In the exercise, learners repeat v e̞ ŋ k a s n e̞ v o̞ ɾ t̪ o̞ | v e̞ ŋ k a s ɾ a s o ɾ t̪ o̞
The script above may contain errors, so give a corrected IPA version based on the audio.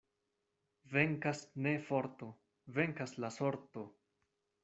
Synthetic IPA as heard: v e̞ ŋ k a s n e̞ f o̞ ɾ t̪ o̞ | v e̞ ŋ k a s l a s o ɾ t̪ o̞